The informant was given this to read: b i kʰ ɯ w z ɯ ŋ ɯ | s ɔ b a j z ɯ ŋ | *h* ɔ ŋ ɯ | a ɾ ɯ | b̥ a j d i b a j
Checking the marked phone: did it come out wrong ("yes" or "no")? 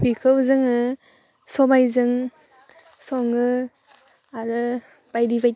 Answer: yes